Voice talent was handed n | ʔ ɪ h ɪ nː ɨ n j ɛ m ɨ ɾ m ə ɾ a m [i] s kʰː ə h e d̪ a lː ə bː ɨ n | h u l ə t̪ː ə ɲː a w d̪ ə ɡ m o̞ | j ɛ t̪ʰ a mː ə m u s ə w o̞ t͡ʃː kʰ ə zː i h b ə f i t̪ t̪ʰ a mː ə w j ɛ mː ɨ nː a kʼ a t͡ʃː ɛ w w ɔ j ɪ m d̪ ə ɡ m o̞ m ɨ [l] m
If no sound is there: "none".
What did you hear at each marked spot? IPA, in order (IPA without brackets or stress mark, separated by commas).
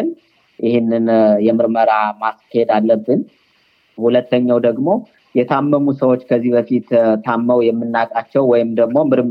a, ɾ